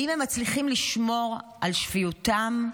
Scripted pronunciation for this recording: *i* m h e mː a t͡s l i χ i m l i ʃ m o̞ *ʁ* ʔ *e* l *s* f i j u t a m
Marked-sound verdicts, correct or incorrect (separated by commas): correct, correct, incorrect, incorrect